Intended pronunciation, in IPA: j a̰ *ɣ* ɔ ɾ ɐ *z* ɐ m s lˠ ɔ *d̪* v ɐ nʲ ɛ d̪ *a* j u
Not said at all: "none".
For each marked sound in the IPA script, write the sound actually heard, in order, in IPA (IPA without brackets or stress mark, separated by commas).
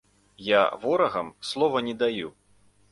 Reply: v, ɣ, none, a